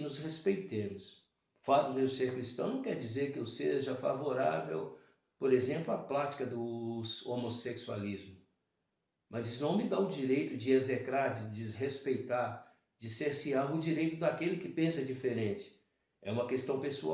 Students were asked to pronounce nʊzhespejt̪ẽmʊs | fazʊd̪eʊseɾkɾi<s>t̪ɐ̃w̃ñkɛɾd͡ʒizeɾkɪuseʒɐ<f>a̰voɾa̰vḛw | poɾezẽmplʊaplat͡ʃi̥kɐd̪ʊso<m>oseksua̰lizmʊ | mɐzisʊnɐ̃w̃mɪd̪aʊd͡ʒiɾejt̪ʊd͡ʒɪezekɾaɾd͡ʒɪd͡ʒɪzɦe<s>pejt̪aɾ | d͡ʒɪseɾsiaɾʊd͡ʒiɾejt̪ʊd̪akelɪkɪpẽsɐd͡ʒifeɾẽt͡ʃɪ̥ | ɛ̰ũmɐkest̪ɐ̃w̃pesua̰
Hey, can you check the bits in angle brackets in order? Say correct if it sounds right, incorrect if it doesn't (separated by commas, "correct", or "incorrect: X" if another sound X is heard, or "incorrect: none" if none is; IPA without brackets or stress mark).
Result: correct, correct, correct, correct